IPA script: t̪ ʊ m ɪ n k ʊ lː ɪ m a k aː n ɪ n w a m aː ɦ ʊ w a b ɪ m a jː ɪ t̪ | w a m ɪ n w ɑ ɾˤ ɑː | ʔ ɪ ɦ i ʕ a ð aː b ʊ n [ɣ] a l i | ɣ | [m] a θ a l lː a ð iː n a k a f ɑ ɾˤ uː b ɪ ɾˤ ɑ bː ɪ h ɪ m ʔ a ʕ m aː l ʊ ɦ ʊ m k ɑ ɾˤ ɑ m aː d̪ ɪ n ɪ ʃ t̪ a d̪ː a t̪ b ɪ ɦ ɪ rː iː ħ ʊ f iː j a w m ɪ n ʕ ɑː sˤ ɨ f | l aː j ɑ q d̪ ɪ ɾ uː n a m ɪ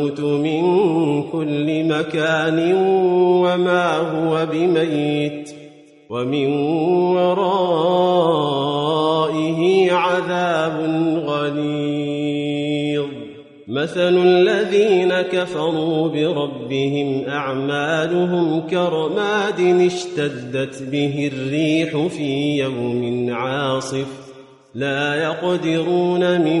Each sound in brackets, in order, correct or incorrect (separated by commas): correct, correct